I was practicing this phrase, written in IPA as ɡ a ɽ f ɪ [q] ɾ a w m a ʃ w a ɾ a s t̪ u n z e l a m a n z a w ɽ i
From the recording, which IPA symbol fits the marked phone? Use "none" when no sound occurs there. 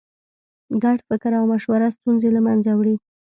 k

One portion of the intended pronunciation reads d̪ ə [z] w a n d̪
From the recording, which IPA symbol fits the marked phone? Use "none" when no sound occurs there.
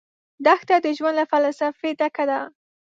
ʒ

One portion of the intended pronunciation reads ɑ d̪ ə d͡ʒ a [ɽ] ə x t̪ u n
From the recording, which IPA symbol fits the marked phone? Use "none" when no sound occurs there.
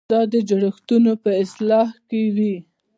ɽ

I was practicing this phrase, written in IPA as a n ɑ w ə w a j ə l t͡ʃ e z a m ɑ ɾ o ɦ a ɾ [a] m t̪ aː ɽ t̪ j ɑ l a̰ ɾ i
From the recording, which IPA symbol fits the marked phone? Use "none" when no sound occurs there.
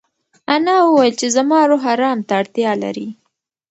ɑ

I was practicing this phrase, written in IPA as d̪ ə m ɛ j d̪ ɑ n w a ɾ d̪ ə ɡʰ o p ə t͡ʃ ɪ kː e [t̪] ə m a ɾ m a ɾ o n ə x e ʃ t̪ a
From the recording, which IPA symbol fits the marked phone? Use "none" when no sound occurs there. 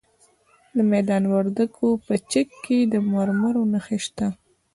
d̪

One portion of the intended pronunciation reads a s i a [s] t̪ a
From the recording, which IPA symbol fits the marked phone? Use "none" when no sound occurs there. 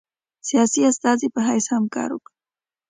s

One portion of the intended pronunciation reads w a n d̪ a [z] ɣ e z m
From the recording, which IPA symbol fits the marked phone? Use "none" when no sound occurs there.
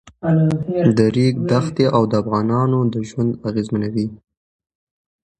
none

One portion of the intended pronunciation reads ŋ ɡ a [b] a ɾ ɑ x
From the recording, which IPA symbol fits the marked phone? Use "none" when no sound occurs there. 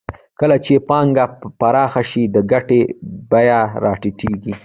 p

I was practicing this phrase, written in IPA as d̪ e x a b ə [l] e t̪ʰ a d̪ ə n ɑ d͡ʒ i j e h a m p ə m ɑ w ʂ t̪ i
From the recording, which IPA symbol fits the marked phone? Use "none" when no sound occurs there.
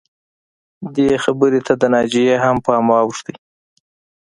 ɾ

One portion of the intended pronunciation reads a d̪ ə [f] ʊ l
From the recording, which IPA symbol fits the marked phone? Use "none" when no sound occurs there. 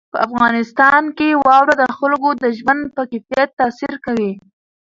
x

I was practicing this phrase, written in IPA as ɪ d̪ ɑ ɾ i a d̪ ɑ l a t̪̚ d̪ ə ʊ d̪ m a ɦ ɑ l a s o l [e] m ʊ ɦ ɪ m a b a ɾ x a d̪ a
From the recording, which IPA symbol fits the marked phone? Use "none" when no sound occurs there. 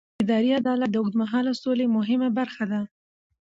e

